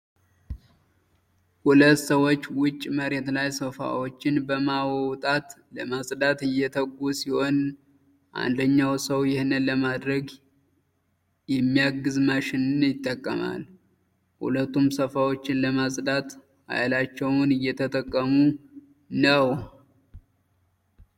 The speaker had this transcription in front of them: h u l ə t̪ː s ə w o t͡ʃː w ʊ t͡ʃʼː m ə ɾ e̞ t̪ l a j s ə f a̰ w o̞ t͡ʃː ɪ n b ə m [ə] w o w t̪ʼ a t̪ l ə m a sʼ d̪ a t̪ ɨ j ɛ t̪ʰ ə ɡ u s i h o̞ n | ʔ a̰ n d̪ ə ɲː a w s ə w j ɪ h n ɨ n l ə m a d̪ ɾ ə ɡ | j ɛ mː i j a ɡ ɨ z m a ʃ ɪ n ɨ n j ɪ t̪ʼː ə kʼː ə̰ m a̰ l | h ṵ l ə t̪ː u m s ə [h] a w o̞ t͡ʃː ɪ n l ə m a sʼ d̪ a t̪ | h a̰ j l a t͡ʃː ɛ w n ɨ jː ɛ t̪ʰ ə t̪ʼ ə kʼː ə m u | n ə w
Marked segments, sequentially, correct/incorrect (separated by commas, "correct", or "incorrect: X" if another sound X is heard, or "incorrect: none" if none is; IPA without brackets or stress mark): incorrect: a, incorrect: f